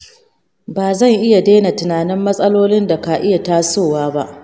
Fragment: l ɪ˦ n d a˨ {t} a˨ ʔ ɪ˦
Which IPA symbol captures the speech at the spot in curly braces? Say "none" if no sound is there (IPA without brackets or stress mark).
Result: k